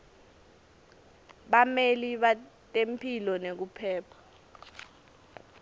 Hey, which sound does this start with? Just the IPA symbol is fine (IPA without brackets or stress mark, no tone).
ɓ